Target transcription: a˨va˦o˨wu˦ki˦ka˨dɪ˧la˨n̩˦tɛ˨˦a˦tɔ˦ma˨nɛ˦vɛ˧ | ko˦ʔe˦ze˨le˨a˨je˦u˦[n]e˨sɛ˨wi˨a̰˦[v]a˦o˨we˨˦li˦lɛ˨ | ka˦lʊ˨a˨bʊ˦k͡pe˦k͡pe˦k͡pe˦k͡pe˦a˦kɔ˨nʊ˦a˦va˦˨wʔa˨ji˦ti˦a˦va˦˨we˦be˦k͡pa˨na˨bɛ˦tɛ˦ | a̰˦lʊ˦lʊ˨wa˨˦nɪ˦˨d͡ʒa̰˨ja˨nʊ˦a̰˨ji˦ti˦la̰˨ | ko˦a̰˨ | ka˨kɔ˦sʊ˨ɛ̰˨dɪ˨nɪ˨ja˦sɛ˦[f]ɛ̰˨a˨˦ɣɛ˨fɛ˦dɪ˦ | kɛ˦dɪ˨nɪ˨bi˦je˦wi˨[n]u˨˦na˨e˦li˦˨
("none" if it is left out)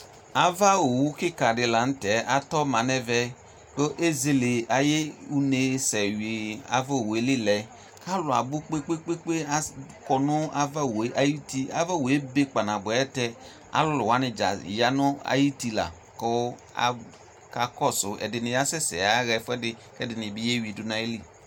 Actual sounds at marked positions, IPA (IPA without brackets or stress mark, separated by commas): n, v, s, d